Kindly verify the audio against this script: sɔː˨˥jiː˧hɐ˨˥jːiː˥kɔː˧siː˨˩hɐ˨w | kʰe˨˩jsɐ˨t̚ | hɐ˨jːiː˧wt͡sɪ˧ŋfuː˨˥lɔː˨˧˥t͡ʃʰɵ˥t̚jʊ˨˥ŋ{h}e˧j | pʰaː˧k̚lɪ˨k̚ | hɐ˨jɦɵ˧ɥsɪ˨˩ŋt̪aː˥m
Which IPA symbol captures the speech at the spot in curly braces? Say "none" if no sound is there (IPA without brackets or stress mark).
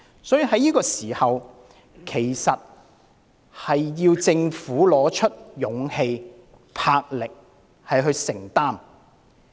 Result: h